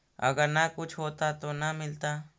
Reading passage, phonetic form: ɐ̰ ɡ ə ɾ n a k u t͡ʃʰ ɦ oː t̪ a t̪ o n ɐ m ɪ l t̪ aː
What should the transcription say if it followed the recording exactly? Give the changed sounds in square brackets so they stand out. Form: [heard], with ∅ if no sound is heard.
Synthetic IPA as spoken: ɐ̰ ɡ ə ɾ n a k [ʊ] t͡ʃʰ ɦ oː t̪ a t̪ o n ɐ m ɪ l t̪ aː